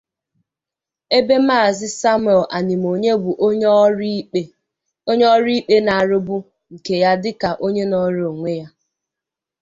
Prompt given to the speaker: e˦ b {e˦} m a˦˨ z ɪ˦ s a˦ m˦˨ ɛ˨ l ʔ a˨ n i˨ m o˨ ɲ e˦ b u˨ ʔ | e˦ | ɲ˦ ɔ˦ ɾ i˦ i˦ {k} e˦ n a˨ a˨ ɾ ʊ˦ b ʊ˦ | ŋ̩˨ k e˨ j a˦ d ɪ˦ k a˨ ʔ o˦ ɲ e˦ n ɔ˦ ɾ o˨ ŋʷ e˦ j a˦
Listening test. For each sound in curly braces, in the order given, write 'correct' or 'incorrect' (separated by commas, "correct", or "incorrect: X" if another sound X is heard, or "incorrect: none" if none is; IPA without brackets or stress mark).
correct, incorrect: k͡p